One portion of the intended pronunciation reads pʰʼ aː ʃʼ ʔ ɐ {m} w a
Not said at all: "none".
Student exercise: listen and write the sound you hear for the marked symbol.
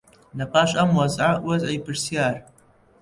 m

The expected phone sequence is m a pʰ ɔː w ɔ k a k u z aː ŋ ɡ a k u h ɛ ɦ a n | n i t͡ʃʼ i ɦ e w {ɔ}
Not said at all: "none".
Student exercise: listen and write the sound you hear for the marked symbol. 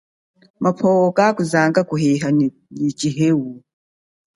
u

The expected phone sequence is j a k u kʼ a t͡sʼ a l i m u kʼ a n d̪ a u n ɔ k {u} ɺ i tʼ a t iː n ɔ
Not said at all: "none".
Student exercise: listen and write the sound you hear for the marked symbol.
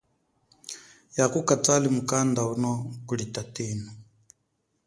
u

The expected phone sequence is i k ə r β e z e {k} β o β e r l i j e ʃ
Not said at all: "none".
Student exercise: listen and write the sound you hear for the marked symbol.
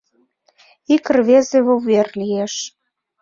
none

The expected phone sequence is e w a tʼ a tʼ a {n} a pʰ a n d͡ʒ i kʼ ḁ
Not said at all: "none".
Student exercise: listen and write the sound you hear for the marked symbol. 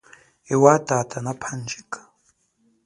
n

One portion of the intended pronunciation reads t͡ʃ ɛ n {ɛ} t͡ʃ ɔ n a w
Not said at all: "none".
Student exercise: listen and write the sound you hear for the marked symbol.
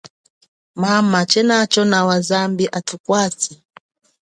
a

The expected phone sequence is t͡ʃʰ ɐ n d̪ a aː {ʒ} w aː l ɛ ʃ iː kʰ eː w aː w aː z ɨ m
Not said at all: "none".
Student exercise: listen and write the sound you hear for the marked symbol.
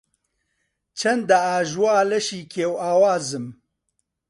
ʒ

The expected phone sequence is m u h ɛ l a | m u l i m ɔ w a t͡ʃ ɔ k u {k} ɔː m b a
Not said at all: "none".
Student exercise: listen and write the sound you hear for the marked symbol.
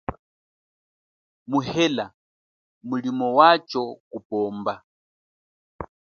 p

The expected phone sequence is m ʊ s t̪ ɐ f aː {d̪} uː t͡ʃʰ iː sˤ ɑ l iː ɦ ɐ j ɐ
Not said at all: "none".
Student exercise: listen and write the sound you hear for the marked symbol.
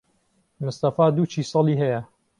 d̪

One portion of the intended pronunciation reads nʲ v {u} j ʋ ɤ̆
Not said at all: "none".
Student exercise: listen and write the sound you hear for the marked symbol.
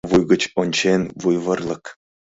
u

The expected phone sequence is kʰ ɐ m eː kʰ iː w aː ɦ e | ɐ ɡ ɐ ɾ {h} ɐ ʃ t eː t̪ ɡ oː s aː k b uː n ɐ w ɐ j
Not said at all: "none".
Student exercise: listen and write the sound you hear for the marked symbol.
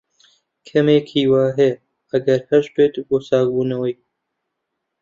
h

